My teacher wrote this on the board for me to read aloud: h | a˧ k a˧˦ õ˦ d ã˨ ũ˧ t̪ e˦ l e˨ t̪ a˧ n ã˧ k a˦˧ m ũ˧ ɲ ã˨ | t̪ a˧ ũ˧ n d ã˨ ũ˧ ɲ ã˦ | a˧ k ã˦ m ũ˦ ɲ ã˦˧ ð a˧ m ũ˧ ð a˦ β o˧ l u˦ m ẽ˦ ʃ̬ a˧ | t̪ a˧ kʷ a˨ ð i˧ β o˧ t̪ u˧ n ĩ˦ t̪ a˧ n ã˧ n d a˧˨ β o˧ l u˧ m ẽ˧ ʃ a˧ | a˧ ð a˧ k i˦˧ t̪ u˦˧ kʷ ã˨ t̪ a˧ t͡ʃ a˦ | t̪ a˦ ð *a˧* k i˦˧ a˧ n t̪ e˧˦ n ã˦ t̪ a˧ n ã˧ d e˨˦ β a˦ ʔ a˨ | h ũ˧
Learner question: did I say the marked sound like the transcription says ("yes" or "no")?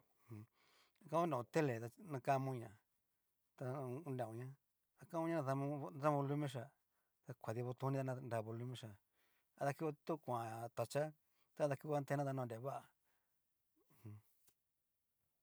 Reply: yes